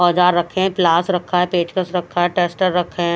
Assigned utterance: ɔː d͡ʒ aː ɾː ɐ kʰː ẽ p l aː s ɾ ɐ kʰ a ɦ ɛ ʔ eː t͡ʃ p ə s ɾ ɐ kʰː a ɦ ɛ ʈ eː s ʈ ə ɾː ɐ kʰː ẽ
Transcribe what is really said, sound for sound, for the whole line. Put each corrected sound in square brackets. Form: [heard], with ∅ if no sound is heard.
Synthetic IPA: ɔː d͡ʒ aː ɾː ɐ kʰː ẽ p l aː s ɾ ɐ kʰ a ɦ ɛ [p] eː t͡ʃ [k] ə s ɾ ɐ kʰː a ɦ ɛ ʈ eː s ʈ ə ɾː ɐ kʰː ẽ